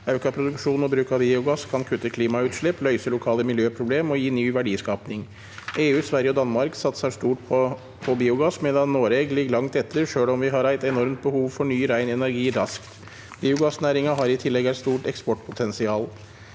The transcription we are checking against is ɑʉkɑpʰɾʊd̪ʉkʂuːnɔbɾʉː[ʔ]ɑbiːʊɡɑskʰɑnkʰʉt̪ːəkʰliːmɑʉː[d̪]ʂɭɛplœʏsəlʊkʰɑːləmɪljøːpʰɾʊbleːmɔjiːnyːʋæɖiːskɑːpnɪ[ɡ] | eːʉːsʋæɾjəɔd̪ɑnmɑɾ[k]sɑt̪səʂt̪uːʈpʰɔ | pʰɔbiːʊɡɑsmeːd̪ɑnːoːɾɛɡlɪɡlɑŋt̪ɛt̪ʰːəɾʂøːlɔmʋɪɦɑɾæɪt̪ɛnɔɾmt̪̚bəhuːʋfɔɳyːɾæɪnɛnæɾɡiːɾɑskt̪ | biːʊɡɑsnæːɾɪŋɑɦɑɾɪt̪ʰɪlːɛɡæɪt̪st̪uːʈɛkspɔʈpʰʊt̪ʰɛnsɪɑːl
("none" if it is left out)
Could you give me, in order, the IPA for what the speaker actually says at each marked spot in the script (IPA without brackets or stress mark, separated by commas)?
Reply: k, t̪, ŋ, k